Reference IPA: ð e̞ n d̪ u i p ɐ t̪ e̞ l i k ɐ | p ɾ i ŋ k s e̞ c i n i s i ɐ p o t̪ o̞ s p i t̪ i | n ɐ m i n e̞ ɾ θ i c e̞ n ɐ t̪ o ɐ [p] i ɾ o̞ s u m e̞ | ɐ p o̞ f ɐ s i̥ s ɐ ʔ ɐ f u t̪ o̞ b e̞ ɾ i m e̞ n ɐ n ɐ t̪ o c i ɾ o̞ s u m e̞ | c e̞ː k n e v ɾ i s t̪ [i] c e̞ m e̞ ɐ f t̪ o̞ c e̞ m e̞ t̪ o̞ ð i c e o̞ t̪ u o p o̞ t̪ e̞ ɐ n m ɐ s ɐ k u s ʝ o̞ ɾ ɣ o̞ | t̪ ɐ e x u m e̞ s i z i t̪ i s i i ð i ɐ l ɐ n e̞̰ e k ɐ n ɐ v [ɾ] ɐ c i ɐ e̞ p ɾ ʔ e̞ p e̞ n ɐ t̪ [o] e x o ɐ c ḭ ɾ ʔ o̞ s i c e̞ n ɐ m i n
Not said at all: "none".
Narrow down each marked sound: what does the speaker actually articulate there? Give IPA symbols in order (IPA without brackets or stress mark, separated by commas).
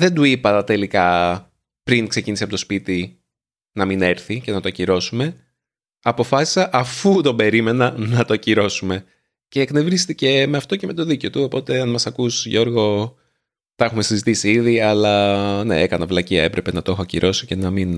c, i, l, o